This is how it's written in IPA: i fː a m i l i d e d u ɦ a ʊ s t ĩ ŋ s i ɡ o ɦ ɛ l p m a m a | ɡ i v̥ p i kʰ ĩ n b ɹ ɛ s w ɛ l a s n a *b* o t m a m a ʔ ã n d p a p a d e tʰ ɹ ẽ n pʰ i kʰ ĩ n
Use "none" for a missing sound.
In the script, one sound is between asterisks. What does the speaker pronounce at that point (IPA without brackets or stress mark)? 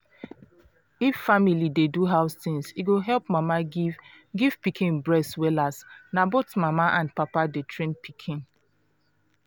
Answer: b